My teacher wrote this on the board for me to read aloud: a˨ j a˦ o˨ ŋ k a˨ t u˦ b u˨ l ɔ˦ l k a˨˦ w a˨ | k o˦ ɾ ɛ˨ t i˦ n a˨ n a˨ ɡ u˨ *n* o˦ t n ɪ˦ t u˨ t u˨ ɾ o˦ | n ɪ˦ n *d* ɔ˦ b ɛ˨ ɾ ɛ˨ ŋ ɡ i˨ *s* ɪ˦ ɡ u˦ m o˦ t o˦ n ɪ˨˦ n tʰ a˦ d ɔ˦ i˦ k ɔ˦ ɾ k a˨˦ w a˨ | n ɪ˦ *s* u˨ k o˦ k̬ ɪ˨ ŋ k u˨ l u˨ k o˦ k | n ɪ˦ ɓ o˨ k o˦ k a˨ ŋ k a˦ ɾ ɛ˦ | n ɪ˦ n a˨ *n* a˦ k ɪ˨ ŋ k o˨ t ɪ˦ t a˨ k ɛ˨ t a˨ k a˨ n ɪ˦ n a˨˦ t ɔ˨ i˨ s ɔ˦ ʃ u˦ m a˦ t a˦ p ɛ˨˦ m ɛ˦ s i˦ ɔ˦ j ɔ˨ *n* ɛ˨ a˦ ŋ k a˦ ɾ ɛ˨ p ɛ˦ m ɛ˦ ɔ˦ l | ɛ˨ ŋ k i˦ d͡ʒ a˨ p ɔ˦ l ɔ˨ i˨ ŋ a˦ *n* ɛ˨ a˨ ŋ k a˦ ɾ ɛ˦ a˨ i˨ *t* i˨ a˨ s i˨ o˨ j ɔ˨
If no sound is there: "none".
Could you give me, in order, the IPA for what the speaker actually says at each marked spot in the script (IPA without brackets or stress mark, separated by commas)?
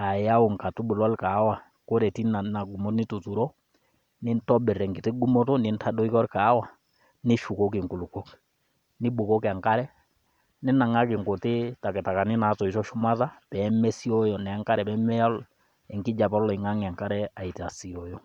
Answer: m, t, t, ʃ, ŋ, n, ŋ, t